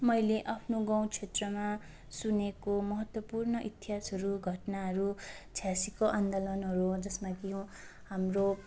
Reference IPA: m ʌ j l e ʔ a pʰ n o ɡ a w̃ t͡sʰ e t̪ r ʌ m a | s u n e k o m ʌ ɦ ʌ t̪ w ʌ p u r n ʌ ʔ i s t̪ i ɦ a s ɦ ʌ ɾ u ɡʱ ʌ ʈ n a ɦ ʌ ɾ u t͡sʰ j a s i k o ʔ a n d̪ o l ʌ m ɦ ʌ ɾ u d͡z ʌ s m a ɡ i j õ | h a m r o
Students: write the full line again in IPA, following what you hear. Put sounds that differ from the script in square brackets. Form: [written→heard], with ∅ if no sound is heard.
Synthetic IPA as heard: m ʌ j l e ʔ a pʰ n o ɡ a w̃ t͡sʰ e t̪ r ʌ m a | s u n e k o m ʌ ɦ ʌ t̪ w ʌ p u r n ʌ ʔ i [s→∅] t̪ i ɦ a s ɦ ʌ ɾ u ɡʱ ʌ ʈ n a ɦ ʌ ɾ u t͡sʰ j a s i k o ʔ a n d̪ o l ʌ [m→n] ɦ ʌ ɾ u d͡z ʌ s m a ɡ i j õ | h a m r o